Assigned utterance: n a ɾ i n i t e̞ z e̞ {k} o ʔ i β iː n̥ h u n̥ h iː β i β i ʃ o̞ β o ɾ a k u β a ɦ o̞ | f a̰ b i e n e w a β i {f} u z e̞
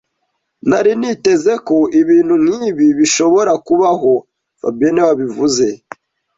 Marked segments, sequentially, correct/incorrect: correct, incorrect: v

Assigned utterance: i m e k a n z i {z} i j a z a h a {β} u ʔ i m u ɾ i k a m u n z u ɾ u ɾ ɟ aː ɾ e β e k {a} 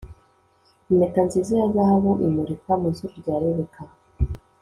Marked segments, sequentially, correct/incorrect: correct, correct, correct

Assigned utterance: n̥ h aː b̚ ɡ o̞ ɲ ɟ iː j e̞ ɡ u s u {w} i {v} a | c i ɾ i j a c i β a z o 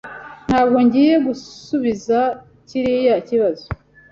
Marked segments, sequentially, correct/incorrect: incorrect: β, incorrect: z

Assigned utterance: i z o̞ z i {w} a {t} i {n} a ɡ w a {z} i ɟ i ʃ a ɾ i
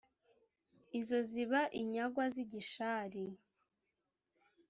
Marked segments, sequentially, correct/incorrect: incorrect: β, incorrect: ʔ, incorrect: ɲ, correct

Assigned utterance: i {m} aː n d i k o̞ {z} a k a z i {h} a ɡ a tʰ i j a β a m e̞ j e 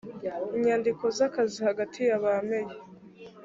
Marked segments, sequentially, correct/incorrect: incorrect: ɲ, correct, correct

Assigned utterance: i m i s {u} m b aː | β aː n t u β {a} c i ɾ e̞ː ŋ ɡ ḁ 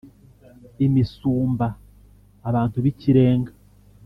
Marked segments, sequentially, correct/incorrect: incorrect: uː, incorrect: i

